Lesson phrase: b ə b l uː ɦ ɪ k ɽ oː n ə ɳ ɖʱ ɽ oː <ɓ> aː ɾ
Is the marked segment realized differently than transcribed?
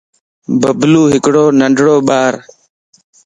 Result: no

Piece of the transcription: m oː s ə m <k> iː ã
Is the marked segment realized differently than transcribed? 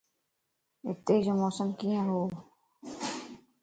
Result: no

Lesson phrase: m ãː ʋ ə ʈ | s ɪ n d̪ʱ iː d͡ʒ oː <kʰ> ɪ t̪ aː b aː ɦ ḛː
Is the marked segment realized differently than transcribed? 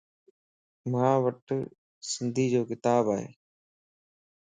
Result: yes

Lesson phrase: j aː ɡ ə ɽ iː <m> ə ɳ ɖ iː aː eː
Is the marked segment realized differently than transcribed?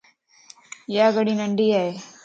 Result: yes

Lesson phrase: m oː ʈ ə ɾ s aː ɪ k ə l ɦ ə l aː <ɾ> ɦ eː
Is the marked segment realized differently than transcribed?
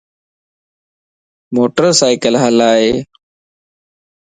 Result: yes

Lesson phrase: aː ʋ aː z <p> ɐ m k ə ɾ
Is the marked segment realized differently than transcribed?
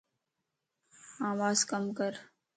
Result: yes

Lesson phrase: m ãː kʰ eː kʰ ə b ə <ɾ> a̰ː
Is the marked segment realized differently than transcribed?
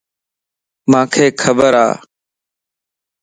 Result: no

